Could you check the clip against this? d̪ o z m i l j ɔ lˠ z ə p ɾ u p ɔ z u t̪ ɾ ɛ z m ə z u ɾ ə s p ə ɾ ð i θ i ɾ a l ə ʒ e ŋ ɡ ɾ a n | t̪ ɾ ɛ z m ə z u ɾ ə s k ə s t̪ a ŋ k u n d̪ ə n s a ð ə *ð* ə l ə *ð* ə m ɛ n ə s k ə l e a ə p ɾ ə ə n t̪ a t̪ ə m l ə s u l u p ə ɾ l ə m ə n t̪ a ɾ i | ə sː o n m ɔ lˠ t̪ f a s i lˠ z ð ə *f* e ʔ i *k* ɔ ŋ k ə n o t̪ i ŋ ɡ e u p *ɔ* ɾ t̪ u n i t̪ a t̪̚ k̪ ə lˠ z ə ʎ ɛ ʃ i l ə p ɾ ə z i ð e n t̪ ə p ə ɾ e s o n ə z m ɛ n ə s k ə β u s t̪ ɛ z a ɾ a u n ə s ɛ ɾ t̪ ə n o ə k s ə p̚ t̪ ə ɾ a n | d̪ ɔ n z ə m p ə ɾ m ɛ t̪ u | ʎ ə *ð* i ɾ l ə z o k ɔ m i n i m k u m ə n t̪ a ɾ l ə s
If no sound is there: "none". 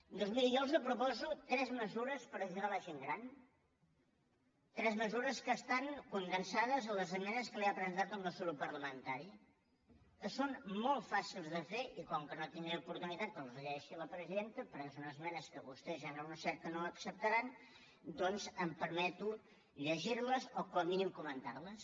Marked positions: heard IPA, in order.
z, z, f, k, u, ʒ

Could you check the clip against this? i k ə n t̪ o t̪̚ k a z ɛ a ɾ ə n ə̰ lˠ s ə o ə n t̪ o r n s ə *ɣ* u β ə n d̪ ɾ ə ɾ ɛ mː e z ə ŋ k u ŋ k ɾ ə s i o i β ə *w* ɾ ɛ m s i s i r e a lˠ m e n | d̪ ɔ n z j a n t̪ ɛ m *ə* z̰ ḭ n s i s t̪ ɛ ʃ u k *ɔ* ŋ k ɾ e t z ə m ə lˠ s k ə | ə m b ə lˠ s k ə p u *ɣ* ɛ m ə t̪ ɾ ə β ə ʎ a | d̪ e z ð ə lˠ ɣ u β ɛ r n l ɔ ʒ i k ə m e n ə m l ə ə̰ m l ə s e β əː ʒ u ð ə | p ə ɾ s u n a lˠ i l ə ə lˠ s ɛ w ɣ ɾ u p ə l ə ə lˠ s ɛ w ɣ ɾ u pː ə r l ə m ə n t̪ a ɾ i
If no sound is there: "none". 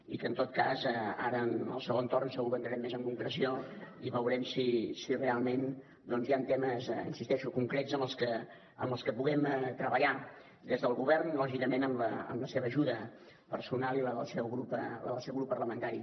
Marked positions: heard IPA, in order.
ɣ, w, ə, u, ɣ

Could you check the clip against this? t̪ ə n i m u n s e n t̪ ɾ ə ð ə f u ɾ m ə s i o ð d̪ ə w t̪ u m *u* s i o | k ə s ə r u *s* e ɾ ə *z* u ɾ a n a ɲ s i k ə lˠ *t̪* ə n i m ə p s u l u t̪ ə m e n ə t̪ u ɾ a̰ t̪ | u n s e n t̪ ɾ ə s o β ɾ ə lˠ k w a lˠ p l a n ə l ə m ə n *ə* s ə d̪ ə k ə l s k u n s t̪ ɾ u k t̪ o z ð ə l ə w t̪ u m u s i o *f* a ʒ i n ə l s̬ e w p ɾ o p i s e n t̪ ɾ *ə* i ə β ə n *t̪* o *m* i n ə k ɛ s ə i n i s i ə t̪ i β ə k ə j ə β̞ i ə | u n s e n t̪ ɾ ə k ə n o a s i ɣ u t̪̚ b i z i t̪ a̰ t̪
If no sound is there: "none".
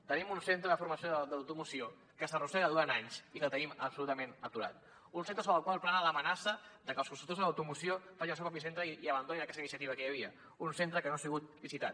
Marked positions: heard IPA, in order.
u, s, ð, t̪, a, f, ə, d̪, n

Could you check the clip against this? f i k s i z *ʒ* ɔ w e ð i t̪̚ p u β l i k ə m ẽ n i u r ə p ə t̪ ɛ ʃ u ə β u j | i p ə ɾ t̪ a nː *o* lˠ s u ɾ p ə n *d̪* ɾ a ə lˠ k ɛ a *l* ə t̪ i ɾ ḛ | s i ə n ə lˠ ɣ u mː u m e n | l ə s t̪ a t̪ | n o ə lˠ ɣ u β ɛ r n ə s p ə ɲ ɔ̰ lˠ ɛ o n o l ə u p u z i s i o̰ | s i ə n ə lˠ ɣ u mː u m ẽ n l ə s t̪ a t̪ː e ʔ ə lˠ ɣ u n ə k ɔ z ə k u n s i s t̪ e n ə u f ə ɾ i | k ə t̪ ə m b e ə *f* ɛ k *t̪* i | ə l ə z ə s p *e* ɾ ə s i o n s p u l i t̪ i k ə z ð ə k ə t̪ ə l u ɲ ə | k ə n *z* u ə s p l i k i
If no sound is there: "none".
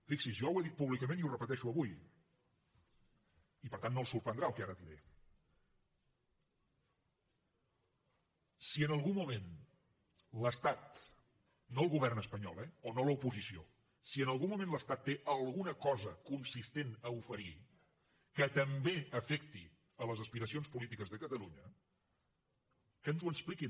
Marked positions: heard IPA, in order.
ʒ, o, d̪, ɾ, f, t̪, i, z

